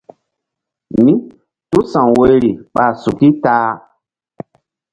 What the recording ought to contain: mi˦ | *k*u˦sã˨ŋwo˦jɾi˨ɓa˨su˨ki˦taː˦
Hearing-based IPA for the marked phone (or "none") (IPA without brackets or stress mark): t